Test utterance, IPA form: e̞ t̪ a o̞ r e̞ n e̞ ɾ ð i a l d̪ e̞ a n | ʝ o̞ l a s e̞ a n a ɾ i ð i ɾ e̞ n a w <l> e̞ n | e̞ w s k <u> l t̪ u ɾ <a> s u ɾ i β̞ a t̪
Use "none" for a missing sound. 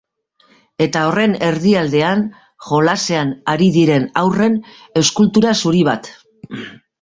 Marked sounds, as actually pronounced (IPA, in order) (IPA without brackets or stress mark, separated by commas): r, u, a